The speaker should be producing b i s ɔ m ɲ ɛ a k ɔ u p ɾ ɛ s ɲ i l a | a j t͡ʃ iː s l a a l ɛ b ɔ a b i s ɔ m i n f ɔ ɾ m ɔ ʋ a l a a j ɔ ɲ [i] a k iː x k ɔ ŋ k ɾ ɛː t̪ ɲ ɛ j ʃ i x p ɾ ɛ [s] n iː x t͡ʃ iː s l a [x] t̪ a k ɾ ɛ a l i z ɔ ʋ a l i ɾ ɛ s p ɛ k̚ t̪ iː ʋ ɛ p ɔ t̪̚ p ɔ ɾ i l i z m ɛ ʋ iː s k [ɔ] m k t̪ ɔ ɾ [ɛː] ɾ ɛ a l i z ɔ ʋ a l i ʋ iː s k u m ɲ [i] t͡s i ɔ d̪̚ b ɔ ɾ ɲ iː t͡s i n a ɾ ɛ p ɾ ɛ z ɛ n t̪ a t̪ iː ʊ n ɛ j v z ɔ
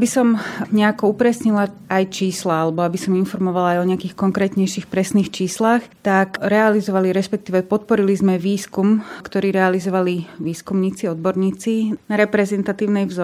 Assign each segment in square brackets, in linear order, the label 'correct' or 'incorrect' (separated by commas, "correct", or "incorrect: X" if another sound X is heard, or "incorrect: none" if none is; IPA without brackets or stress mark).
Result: incorrect: ɛ, correct, correct, incorrect: u, incorrect: iː, incorrect: iː